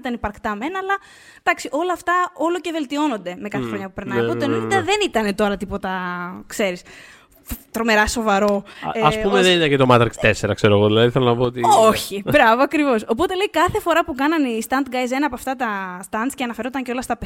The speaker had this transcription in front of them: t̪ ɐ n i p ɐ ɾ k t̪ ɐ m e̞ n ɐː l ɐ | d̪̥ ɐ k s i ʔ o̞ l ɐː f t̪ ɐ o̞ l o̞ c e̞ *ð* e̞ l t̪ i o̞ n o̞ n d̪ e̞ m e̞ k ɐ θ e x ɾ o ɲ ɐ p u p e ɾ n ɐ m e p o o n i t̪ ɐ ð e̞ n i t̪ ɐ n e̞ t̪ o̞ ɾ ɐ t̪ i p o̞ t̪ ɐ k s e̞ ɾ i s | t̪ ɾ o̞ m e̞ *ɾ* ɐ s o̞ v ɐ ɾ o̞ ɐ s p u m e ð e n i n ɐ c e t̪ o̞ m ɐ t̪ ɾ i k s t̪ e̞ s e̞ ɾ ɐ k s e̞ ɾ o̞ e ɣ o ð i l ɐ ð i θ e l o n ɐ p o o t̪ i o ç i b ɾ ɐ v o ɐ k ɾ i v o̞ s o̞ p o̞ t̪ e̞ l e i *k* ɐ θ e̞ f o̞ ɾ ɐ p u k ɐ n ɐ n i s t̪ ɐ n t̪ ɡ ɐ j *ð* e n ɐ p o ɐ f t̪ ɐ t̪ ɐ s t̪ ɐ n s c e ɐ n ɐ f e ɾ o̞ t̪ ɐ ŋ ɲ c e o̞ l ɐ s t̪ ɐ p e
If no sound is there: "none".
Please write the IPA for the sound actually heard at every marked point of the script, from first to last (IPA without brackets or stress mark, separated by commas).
v, ɾ, k, z